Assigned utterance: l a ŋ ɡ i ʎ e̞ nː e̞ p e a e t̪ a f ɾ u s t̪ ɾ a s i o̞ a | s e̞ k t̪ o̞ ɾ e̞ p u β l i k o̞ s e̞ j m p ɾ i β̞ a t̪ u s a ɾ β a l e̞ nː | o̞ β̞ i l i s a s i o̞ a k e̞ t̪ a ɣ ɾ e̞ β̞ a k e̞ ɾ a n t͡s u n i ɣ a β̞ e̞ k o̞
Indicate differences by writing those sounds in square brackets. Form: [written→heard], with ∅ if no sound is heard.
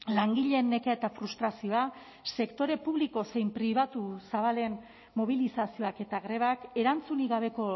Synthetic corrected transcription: l a ŋ ɡ i ʎ e̞ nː e̞ [p→k] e a e t̪ a f ɾ u s t̪ ɾ a s i o̞ a | s e̞ k t̪ o̞ ɾ e̞ p u β l i k o̞ s e̞ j m p ɾ i β̞ a t̪ u s a [ɾ→∅] β a l e̞ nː | o̞ β̞ i l i s a s i o̞ a k e̞ t̪ a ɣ ɾ e̞ β̞ a k e̞ ɾ a n t͡s u n i ɣ a β̞ e̞ k o̞

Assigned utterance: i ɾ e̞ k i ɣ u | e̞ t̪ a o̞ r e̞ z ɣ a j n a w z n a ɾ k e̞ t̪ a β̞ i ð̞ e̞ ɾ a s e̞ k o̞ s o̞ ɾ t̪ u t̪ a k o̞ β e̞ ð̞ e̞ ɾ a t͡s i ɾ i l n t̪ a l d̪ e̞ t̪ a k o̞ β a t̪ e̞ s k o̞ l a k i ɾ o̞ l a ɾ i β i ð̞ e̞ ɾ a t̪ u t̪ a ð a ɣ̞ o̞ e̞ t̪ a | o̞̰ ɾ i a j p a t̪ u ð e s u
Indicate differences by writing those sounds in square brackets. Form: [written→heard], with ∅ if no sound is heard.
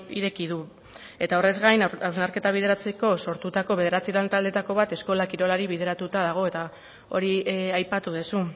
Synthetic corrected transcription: i ɾ e̞ k i [ɣ→ð] u | e̞ t̪ a o̞ r e̞ z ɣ a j n a w z n a ɾ k e̞ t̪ a β̞ i ð̞ e̞ ɾ a [s→t͡s] e̞ k o̞ s o̞ ɾ t̪ u t̪ a k o̞ β e̞ ð̞ e̞ ɾ a t͡s i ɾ [i→a] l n t̪ a l d̪ e̞ t̪ a k o̞ β a t̪ e̞ s k o̞ l a k i ɾ o̞ l a ɾ i β i ð̞ e̞ ɾ a t̪ u t̪ a ð a ɣ̞ o̞ e̞ t̪ a | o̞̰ ɾ i a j p a t̪ u ð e s u

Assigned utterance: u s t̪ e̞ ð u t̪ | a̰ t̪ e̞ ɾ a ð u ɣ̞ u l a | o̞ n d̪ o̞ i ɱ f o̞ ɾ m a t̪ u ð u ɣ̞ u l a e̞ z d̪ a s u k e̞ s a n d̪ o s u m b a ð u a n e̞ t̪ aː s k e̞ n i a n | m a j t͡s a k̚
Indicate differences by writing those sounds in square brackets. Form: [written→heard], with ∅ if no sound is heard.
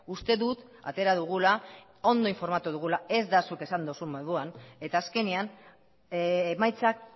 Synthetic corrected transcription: u s t̪ e̞ ð u t̪ | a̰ t̪ e̞ ɾ a ð u ɣ̞ u l a | o̞ n d̪ o̞ i ɱ f o̞ ɾ m a t̪ u ð u ɣ̞ u l a e̞ z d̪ a s u k e̞ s a n d̪ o s u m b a ð u a n e̞ t̪ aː s k e̞ n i a n | m a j t͡s a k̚

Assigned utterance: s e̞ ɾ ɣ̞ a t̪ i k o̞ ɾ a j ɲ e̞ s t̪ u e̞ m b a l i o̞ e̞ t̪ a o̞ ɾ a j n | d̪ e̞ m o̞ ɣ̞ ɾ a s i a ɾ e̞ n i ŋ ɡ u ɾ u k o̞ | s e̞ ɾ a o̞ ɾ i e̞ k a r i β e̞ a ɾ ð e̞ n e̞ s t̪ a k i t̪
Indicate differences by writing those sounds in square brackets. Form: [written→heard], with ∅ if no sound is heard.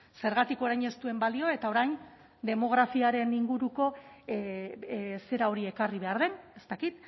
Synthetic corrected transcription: s e̞ ɾ ɣ̞ a t̪ i k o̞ ɾ a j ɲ e̞ s t̪ u e̞ m b a l i o̞ e̞ t̪ a o̞ ɾ a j n | d̪ e̞ m o̞ ɣ̞ ɾ a [s→f] i a ɾ e̞ n i ŋ ɡ u ɾ u k o̞ | s e̞ ɾ a o̞ ɾ i e̞ k a r i β e̞ a ɾ ð e̞ n e̞ s t̪ a k i t̪

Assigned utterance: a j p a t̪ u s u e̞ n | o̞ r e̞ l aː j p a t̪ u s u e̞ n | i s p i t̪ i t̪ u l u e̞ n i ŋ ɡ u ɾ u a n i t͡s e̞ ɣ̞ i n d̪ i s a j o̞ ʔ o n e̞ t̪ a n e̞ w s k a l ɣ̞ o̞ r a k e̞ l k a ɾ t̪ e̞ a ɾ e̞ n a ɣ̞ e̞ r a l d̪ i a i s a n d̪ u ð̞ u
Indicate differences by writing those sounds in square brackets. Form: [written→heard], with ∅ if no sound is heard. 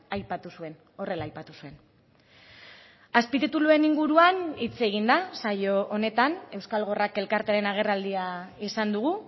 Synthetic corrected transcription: a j p a t̪ u s u e̞ n | o̞ r e̞ l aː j p a t̪ u s u e̞ n | [i→a] s p i t̪ i t̪ u l u e̞ n i ŋ ɡ u ɾ u a n i t͡s e̞ ɣ̞ i n d̪ [i→a] s a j o̞ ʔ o n e̞ t̪ a n e̞ w s k a l ɣ̞ o̞ r a k e̞ l k a ɾ t̪ e̞ a ɾ e̞ n a ɣ̞ e̞ r a l d̪ i a i s a n d̪ u [ð̞→ɣ̞] u

